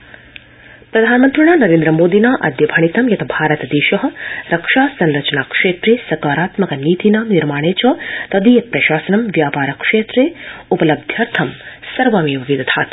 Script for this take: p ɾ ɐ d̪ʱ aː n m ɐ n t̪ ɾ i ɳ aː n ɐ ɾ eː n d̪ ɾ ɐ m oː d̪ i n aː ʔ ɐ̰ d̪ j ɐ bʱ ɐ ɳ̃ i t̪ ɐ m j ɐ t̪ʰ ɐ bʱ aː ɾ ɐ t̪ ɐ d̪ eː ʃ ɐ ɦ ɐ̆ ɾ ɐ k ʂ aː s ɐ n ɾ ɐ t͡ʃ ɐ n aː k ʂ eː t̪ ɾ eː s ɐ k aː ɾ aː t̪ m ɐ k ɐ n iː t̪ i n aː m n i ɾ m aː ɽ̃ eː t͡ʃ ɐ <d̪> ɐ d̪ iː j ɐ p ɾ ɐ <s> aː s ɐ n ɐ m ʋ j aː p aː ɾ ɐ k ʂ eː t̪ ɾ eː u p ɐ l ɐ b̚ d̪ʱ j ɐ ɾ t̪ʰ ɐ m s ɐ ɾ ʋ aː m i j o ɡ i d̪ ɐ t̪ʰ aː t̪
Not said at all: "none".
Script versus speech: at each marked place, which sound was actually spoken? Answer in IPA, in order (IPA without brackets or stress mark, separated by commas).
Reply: t̪, ʃ